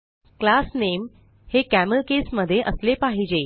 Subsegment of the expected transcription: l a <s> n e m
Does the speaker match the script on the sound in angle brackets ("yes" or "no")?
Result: yes